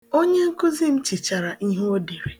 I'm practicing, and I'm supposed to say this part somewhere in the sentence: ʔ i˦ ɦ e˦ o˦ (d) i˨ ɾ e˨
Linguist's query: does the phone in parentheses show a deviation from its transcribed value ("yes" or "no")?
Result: no